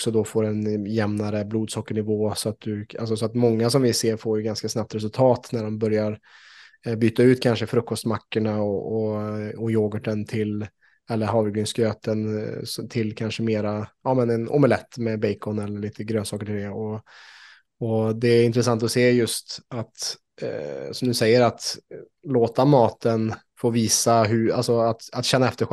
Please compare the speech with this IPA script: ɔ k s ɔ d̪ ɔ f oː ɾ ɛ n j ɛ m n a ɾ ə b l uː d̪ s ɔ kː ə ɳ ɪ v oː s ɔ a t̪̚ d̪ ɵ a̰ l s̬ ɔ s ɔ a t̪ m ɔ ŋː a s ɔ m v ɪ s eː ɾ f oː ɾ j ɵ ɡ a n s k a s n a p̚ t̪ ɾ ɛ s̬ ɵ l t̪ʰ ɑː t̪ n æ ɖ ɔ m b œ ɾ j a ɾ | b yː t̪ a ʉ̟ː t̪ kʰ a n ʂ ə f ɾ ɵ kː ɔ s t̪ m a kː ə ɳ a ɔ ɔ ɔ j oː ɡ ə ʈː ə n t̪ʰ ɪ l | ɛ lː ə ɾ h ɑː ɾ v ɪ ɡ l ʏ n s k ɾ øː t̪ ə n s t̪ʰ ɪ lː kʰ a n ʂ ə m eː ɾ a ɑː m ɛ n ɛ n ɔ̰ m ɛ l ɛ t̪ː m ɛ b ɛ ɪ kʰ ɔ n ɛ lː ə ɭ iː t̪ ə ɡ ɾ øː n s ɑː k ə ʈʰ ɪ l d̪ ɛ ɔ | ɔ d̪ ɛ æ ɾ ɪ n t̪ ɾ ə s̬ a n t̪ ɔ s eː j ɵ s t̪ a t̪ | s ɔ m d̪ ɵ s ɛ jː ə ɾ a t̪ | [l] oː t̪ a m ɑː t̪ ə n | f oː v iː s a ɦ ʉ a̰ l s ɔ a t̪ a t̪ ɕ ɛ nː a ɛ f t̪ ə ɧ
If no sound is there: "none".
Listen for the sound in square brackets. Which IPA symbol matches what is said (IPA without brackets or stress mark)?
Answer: l